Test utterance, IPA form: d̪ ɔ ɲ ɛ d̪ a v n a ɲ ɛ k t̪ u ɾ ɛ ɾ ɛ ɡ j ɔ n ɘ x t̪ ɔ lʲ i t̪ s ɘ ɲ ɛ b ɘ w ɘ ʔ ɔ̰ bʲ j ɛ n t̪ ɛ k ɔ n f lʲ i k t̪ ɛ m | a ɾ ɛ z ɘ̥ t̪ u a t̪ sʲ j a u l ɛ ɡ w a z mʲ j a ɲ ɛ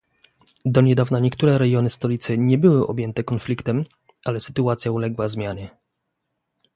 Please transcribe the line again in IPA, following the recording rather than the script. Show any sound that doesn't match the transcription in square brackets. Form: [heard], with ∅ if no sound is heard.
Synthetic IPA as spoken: d̪ ɔ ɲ ɛ d̪ a v n a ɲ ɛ k t̪ u ɾ ɛ ɾ ɛ ɡ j ɔ n ɘ [s] t̪ ɔ lʲ i t̪ s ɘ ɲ ɛ b ɘ w ɘ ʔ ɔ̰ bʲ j ɛ n t̪ ɛ k ɔ n f lʲ i k t̪ ɛ m | a [l] ɛ [s] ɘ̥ t̪ u a t̪ sʲ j a u l ɛ ɡ w a z mʲ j a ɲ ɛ